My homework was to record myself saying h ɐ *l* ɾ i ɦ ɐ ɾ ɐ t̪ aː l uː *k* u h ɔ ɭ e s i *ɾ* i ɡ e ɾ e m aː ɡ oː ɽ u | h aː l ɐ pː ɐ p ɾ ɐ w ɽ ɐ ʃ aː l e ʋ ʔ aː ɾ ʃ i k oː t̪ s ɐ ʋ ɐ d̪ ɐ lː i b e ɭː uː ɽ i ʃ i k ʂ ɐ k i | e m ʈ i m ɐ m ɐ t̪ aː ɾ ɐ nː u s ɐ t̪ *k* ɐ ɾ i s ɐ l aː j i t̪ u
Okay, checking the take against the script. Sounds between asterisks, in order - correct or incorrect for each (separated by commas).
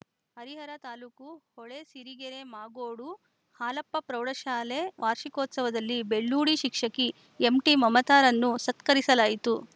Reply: incorrect, correct, correct, correct